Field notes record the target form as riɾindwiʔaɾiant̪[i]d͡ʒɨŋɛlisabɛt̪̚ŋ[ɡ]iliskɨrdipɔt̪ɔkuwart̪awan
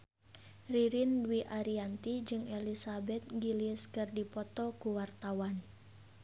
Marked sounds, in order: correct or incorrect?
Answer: correct, correct

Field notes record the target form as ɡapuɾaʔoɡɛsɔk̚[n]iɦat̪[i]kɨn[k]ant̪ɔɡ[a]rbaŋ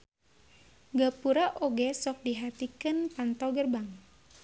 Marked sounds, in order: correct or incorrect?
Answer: incorrect, correct, incorrect, incorrect

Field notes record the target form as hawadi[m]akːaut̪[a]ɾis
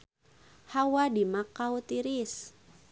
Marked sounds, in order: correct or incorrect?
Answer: correct, incorrect

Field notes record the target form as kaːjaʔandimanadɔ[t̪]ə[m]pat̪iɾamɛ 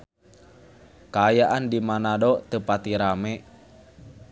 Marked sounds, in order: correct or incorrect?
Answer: correct, incorrect

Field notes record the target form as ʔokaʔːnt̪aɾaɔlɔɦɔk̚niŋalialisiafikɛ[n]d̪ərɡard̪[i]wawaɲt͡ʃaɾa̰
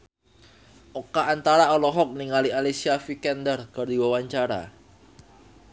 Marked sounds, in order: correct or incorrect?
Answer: correct, correct

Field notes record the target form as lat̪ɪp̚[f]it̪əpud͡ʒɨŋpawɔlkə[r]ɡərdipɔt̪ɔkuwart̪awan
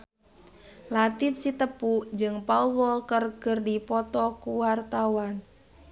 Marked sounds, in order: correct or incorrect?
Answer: incorrect, correct

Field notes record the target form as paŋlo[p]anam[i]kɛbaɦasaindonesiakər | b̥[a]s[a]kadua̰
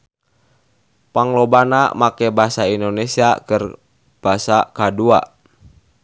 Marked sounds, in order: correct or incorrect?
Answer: incorrect, incorrect, correct, correct

